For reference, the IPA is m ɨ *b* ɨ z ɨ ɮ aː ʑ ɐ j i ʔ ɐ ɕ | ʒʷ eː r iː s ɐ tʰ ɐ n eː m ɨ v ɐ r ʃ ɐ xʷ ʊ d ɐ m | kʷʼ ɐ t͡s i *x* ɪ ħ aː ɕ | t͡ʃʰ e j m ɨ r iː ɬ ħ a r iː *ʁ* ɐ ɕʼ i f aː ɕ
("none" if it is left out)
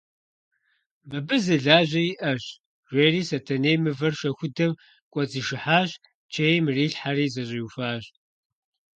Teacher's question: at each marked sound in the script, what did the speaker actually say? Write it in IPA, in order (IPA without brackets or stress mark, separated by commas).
b, ʃ, z